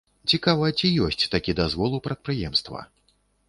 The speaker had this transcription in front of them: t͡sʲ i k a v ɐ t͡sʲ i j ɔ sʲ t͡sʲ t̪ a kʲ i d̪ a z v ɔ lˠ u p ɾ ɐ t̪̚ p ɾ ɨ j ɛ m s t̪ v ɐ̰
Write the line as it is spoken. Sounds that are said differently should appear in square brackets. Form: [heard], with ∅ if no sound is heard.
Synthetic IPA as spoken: t͡sʲ i k a v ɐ t͡sʲ i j ɔ sʲ t͡sʲ t̪ a kʲ i d̪ a z v ɔ lˠ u p ɾ ɐ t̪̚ p ɾ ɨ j ɛ m s t̪ v ɐ̰

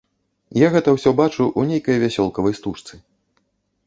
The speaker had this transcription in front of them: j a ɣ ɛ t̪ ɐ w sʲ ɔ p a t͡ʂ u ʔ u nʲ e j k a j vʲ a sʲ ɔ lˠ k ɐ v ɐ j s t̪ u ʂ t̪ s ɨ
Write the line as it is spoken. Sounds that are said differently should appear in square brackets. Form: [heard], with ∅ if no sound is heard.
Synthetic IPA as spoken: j a ɣ ɛ t̪ ɐ w sʲ ɔ [b] a t͡ʂ u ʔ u nʲ e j k [ɐ] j vʲ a sʲ ɔ lˠ k ɐ v ɐ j s t̪ u ʂ t̪ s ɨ

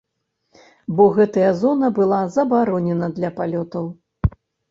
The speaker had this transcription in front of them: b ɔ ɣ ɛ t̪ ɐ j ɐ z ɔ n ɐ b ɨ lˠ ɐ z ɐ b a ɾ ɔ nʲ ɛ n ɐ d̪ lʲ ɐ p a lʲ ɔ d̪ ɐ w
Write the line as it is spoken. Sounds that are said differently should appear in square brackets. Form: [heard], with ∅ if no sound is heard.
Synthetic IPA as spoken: b ɔ ɣ ɛ t̪ ɐ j ɐ z ɔ n ɐ b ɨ lˠ [a] z ɐ b a ɾ ɔ nʲ ɛ n ɐ d̪ lʲ ɐ p a lʲ ɔ [t̪] ɐ w

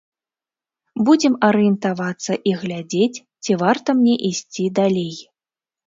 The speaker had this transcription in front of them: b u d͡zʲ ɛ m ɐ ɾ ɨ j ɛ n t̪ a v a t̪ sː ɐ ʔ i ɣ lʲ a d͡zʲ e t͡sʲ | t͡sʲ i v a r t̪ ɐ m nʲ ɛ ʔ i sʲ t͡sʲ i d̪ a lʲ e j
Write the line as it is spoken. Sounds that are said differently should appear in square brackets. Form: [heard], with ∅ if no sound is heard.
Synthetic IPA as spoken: b u d͡zʲ ɛ m ɐ ɾ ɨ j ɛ n t̪ a v a t̪ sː ɐ ʔ i ɣ lʲ a d͡zʲ e t͡sʲ | t͡sʲ i v a r t̪ ɐ m nʲ ɛ ʔ i sʲ t͡sʲ i d̪ a lʲ e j

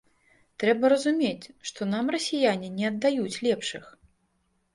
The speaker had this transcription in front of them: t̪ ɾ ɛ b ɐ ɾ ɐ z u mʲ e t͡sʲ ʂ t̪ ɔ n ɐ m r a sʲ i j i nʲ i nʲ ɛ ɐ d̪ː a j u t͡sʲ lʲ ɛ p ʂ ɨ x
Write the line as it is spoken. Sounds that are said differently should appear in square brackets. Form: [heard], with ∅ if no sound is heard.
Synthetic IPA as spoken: t̪ ɾ ɛ b ɐ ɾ ɐ z u mʲ e t͡sʲ ʂ t̪ ɔ n [a] m r [ɐ] sʲ i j [a] nʲ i nʲ ɛ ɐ d̪ː a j u t͡sʲ lʲ ɛ p ʂ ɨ x

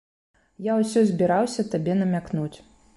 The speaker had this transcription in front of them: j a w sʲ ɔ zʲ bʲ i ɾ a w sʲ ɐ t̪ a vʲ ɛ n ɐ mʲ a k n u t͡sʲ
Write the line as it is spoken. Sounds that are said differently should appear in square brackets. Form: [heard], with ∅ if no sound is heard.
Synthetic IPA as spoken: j a w sʲ ɔ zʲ bʲ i ɾ a w sʲ ɐ t̪ a [bʲ] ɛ n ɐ mʲ a k n u t͡sʲ

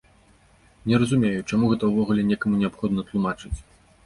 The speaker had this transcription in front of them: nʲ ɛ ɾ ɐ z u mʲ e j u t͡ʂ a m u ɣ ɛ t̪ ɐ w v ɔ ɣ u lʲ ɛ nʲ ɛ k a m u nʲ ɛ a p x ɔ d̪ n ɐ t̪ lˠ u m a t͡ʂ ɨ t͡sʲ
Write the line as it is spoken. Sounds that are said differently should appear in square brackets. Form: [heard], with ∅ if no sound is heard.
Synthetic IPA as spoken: nʲ ɛ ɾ ɐ z u mʲ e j u t͡ʂ a m u ɣ ɛ t̪ ɐ w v ɔ ɣ u lʲ ɛ nʲ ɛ k [ɐ] m u nʲ ɛ a p x ɔ d̪ n ɐ t̪ lˠ u m a t͡ʂ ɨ t͡sʲ

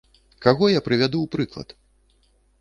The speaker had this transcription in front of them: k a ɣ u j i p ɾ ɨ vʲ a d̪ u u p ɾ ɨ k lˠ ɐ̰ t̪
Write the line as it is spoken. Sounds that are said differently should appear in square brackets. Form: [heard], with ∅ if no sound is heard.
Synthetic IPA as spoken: k a ɣ [ɔ] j [a] p ɾ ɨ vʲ a d̪ u [w] p ɾ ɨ k lˠ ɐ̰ t̪

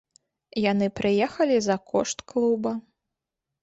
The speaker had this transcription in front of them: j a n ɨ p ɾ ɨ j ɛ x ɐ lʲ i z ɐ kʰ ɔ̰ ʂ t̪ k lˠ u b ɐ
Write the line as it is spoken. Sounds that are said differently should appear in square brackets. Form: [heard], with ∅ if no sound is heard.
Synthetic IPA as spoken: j a n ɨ p ɾ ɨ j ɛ x ɐ lʲ i z ɐ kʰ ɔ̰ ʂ t̪ k lˠ u b ɐ

